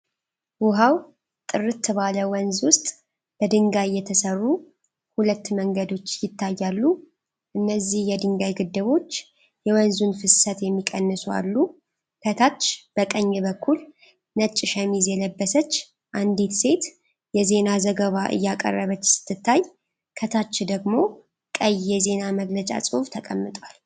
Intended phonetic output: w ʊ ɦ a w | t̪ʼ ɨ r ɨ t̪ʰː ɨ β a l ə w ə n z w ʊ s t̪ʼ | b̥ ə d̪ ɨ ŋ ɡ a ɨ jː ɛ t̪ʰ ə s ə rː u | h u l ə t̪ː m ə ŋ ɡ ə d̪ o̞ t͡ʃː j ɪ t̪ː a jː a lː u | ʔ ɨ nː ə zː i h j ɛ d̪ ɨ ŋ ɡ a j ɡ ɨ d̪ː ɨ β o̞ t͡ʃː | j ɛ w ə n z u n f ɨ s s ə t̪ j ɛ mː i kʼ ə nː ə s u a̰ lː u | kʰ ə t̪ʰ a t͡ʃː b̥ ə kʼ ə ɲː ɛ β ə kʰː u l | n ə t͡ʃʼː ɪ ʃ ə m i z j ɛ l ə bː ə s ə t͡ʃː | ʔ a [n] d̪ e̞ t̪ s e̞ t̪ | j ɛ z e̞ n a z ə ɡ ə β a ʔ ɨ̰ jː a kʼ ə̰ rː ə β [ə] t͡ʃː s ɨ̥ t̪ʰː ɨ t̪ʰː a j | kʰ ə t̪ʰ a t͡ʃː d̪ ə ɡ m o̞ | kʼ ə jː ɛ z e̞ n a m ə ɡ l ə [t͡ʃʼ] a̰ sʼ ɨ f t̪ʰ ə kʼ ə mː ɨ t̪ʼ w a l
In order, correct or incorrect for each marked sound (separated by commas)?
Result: correct, correct, correct